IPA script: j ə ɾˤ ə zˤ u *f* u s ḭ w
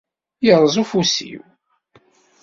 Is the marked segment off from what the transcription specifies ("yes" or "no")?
no